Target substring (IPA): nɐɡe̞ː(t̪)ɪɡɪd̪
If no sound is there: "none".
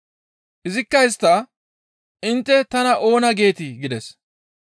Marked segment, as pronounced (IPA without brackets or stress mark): t̪